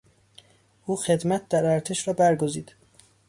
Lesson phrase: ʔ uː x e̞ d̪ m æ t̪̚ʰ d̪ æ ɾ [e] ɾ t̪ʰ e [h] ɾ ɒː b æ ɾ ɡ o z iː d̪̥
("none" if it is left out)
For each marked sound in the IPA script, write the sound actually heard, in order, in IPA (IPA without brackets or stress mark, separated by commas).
æ, ʃ